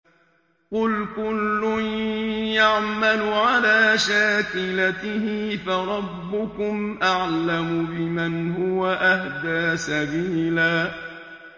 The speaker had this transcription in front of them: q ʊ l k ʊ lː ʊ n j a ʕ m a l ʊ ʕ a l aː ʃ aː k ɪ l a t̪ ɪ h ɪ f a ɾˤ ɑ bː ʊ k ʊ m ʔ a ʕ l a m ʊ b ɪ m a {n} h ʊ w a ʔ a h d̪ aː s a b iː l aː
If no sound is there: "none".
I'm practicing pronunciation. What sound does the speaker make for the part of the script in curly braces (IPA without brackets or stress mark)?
n